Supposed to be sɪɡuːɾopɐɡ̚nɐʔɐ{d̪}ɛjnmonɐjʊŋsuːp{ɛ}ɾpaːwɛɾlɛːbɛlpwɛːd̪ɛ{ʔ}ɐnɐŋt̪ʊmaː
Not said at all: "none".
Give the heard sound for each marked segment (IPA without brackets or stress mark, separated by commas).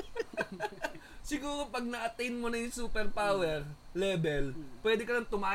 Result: t̪, ɛ, k